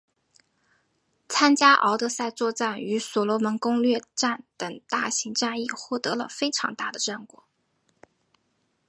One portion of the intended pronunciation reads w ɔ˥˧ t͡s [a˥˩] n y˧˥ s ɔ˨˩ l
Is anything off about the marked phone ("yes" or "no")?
no